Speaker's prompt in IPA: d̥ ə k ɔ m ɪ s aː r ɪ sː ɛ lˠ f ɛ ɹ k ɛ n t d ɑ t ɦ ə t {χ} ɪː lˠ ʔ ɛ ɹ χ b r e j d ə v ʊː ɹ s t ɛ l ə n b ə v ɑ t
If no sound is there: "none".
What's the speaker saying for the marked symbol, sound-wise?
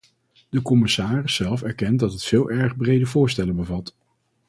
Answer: f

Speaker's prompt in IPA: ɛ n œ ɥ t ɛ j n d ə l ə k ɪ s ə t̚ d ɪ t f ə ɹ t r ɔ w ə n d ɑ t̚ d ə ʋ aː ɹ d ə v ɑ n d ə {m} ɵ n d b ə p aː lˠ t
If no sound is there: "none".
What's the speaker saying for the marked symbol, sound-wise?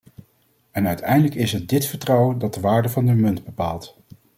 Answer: m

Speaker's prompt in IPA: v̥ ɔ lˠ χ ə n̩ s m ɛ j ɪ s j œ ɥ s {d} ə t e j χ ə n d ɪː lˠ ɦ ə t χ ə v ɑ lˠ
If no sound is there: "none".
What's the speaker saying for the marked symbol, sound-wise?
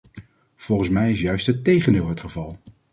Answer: t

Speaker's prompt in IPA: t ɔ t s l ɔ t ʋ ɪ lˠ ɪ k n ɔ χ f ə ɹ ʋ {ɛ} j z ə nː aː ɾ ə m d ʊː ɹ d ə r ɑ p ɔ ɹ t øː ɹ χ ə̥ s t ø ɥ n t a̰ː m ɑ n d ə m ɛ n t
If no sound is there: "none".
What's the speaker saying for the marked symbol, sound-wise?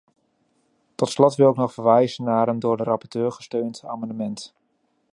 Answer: ɛ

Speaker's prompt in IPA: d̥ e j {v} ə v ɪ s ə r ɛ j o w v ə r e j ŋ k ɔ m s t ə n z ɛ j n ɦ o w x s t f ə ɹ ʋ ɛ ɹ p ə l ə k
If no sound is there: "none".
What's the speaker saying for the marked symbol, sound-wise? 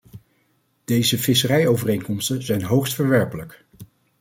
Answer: z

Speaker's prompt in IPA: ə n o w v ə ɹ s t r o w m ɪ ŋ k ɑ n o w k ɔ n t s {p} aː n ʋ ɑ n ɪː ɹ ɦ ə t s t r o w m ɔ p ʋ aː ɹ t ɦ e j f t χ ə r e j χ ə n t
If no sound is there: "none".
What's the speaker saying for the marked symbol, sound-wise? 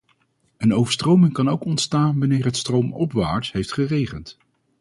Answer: t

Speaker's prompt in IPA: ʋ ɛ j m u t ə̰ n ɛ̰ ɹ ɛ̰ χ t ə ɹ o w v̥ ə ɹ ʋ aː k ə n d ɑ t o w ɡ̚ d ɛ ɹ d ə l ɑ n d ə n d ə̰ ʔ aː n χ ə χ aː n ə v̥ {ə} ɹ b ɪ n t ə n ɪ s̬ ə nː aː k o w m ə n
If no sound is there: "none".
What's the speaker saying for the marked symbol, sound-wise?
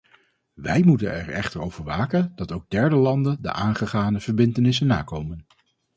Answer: ə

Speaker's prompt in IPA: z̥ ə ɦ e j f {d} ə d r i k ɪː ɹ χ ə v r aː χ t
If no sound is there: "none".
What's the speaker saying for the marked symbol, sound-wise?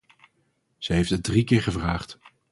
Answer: t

